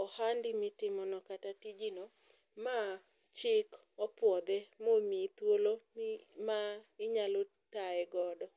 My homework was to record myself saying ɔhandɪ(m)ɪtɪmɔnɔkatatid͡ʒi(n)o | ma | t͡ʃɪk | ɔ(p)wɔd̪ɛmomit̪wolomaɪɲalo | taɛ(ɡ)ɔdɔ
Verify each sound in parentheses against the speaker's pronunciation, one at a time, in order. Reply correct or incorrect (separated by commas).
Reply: correct, correct, correct, correct